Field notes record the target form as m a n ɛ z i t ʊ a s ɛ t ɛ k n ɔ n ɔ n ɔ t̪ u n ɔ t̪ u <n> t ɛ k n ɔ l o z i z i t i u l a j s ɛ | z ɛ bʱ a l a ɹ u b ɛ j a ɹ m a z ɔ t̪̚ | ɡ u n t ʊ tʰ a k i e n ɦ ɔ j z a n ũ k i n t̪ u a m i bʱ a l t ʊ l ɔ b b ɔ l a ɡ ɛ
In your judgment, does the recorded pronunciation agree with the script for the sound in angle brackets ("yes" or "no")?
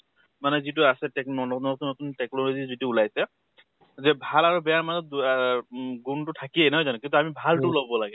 yes